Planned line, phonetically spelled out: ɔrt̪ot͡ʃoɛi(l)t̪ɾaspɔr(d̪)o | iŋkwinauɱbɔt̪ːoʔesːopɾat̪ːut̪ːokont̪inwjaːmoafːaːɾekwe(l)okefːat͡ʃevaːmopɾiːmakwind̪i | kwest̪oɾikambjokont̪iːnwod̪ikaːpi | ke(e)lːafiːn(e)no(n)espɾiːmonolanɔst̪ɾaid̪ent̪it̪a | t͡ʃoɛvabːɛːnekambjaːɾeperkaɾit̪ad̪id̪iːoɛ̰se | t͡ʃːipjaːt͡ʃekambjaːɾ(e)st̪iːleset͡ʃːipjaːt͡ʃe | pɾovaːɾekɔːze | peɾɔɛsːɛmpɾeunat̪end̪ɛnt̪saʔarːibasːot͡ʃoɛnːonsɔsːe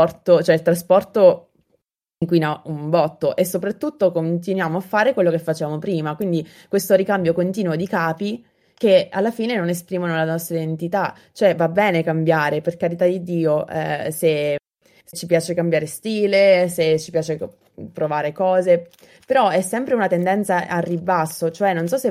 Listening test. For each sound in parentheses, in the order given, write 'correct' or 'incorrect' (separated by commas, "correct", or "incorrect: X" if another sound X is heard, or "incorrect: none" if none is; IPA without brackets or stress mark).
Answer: correct, incorrect: t̪, incorrect: lː, incorrect: a, correct, correct, correct